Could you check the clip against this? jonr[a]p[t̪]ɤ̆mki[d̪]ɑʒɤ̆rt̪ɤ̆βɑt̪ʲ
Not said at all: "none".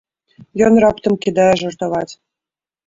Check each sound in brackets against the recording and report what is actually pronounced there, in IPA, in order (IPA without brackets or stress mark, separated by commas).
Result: ɑ, t̪, d̪